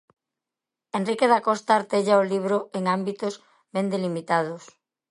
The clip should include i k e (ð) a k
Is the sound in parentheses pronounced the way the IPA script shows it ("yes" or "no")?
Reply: yes